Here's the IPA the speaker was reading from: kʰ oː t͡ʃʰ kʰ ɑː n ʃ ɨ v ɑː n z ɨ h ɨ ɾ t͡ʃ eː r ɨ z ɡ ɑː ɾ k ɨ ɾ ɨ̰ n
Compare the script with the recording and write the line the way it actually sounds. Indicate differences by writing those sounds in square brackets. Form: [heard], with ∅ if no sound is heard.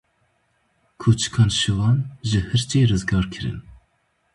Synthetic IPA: kʰ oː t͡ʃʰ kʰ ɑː n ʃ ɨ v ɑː n [ʒ] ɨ h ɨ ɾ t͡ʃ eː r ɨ z ɡ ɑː ɾ [kʰ] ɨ ɾ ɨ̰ n